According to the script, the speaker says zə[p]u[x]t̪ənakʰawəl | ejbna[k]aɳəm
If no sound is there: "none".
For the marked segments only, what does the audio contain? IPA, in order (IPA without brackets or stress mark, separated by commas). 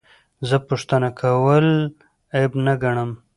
p, ʂ, ɡ